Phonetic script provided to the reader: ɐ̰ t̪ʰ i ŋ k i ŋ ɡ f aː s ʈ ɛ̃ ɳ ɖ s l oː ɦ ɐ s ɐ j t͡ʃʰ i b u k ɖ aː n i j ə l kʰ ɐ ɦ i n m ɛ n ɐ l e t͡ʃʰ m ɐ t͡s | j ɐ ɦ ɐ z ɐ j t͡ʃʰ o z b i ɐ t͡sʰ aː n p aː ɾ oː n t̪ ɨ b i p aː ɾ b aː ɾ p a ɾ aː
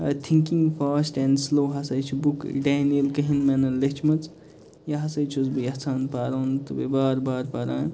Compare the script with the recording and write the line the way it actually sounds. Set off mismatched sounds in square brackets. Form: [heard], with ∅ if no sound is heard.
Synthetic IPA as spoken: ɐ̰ t̪ʰ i ŋ k i ŋ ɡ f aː s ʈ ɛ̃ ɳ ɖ s l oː ɦ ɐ s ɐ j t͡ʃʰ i b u k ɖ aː n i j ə l [k] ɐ ɦ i n m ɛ n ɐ l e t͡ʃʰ m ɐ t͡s | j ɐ ɦ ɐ [s] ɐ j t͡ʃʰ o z b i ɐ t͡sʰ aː n p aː ɾ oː n t̪ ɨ b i [b] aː ɾ b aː ɾ p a ɾ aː